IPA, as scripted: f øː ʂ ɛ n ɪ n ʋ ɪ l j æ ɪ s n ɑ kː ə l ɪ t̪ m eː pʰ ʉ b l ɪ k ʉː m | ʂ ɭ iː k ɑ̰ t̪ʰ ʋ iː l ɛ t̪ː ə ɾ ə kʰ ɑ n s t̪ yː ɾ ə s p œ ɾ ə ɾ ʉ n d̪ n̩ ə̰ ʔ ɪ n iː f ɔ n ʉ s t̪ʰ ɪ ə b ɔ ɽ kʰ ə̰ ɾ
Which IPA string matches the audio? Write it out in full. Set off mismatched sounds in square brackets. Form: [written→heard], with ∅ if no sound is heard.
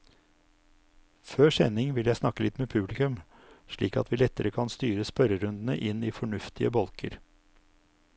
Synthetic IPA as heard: f øː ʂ ɛ n ɪ [n→ŋ] ʋ ɪ l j æ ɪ s n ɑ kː ə l ɪ t̪ m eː pʰ ʉ b l ɪ k [ʉː→ʉ] m | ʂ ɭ iː k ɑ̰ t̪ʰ ʋ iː l ɛ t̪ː ə ɾ ə kʰ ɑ n s t̪ yː ɾ ə s p œ ɾ ə ɾ ʉ n d̪ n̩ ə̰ ʔ ɪ n iː f ɔ [n→ɳ] ʉ [s→f] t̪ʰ ɪ ə b ɔ [ɽ→l] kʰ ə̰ ɾ